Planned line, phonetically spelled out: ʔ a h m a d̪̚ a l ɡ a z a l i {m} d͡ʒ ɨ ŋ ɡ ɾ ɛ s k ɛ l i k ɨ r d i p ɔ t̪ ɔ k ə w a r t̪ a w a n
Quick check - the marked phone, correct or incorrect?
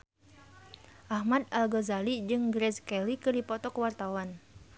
incorrect